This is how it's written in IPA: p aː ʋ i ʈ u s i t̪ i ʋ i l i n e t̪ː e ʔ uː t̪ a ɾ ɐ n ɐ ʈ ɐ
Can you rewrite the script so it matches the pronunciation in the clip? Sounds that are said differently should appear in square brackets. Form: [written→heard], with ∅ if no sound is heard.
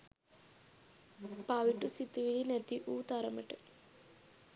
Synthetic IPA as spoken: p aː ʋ i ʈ u s i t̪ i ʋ i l i n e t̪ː [e→i] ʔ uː t̪ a ɾ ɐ [n→m] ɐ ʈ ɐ